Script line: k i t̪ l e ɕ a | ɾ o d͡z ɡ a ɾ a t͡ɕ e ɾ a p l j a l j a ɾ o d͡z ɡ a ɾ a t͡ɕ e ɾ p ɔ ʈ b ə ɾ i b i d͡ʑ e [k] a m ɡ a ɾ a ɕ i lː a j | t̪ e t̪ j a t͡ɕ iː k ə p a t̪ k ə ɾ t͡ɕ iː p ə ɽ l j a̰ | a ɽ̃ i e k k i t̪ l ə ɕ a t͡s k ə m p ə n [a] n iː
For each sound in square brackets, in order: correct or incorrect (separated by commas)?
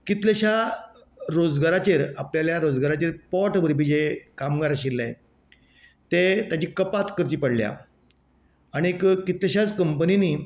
correct, incorrect